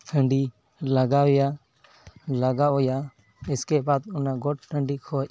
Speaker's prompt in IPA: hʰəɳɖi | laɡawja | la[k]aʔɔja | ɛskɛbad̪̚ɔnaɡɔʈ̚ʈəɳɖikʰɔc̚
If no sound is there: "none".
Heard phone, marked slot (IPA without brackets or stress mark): ɡ